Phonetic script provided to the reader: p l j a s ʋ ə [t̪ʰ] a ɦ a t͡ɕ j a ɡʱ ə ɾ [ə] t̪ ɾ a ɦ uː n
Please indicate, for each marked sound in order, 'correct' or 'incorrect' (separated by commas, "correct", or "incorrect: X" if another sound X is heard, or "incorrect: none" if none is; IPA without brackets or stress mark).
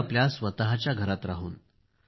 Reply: incorrect: t̪, incorrect: a